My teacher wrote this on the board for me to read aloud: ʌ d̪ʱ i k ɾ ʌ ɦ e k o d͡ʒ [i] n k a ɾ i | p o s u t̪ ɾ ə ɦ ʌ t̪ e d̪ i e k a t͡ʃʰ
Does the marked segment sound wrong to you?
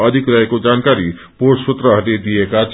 yes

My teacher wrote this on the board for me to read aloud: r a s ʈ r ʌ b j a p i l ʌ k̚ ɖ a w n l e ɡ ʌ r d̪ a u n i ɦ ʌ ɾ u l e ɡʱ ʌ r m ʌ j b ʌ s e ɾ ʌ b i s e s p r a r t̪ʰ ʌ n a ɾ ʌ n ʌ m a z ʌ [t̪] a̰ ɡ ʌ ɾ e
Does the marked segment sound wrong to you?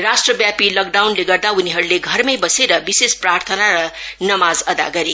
yes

